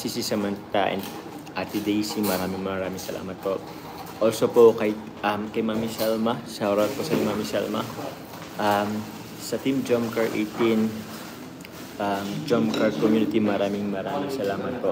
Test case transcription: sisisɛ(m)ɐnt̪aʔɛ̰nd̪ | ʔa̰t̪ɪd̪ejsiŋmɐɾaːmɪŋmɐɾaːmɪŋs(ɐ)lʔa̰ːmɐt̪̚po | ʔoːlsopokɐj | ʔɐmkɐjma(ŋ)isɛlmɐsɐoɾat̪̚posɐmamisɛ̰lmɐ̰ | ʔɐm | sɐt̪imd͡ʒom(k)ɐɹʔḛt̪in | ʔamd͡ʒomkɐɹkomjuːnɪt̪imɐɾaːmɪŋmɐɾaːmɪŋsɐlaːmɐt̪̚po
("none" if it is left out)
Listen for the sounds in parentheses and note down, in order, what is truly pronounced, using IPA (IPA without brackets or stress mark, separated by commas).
m, ɐ, m, k